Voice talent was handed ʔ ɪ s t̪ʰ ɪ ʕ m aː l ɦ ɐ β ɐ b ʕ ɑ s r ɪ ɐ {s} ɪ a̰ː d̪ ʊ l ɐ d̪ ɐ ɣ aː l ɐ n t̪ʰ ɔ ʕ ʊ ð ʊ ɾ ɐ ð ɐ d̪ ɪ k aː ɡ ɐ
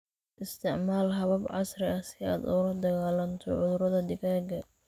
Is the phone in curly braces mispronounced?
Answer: no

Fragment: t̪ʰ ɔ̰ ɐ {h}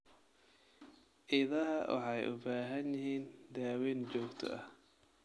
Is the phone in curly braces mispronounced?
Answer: no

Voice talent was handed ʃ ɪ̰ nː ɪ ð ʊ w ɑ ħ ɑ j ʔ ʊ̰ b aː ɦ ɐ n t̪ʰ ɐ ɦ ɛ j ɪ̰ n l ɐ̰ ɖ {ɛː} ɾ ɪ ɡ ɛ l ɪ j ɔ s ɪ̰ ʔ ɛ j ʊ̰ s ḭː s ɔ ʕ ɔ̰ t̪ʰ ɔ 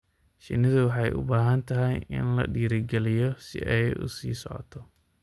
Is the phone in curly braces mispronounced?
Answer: yes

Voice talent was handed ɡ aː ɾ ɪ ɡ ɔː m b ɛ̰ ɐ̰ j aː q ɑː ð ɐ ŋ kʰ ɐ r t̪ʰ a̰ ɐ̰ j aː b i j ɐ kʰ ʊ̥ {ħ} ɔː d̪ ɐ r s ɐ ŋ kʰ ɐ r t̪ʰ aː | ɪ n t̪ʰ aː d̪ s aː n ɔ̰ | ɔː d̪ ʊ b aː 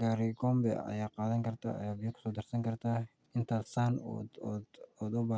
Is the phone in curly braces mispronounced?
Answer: yes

